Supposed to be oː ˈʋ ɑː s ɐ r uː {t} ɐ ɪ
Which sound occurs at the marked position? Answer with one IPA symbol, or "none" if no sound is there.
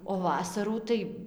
t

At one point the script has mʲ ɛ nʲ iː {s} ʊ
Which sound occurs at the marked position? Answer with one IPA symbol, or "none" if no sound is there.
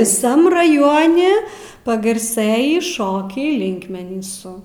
s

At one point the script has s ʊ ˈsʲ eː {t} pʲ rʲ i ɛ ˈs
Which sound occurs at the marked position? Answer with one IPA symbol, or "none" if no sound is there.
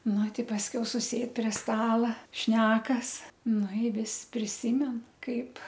t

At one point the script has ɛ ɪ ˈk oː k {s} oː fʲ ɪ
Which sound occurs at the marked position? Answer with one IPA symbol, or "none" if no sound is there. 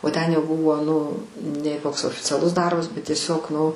s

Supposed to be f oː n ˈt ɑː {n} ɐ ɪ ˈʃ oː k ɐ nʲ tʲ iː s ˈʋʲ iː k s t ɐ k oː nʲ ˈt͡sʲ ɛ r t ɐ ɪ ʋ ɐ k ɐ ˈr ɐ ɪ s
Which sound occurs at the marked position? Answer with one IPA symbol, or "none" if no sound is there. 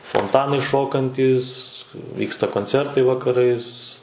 n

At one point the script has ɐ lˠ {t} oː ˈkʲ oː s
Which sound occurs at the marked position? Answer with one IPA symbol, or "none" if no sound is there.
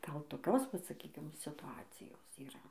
t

